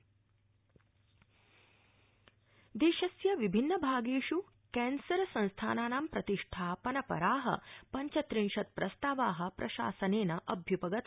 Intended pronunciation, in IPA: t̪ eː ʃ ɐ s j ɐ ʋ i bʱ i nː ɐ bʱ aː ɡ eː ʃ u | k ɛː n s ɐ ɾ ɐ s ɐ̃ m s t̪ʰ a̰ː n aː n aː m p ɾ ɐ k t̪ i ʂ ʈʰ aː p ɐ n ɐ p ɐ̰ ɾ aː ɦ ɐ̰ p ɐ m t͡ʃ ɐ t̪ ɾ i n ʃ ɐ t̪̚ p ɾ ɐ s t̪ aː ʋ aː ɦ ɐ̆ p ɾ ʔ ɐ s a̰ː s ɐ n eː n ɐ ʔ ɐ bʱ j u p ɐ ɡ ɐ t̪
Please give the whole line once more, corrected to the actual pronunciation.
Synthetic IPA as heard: d̪ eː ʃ ɐ s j ɐ ʋ i bʱ i nː ɐ bʱ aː ɡ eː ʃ u | k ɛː n s ɐ ɾ ɐ s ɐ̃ n s t̪ʰ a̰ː n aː n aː m p ɾ ɐ t̪ i ʂ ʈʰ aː p ɐ n ɐ p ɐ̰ ɾ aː ɦ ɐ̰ p ɐ ɲ t͡ʃ ɐ t̪ ɾ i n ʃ ɐ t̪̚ p ɾ ɐ s t̪ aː ʋ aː ɦ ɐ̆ p ɾ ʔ ɐ ʃ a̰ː s ɐ n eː n ɐ ʔ ɐ bʱ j u p ɐ ɡ ɐ t̪